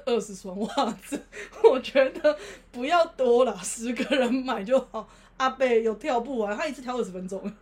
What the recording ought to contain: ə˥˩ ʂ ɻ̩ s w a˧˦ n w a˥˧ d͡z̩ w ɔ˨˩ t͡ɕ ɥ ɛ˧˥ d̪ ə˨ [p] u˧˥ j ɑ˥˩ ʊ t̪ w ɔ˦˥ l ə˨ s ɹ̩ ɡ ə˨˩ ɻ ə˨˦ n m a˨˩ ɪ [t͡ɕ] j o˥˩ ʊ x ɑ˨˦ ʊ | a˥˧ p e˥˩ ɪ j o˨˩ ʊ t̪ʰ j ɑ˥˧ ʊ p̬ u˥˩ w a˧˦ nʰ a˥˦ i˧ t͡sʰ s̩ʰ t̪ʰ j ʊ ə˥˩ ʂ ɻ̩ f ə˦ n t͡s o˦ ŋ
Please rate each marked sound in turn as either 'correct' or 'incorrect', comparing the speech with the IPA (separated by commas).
correct, correct